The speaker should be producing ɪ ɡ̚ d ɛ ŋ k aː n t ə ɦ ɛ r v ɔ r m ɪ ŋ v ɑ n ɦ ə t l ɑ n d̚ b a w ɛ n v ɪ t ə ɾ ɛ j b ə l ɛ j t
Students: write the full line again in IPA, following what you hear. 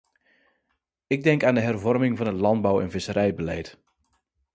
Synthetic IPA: ɪ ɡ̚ d ɛ ŋ k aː n d ə ɦ ɛ r v ɔ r m ɪ ŋ v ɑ n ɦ ə t l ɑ n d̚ b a w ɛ n v ɪ s ə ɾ ɛ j b ə l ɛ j t